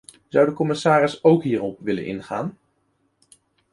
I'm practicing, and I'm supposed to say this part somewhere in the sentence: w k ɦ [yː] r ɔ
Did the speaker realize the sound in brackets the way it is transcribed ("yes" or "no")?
no